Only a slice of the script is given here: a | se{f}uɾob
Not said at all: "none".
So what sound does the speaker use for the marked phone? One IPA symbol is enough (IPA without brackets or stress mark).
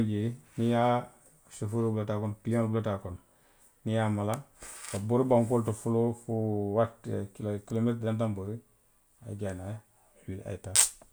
f